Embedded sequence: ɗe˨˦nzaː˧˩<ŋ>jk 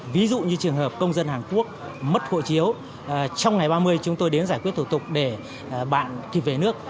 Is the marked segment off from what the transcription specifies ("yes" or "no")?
yes